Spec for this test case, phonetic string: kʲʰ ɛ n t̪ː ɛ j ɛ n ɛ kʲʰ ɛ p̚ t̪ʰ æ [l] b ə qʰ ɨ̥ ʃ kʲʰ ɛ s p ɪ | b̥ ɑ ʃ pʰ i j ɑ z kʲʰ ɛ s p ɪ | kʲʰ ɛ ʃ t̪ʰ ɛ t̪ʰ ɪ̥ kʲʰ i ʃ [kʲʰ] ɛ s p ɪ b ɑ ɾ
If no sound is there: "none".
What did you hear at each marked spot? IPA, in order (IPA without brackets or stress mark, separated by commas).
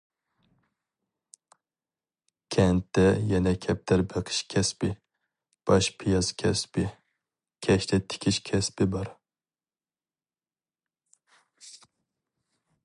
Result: ɾ, kʲʰ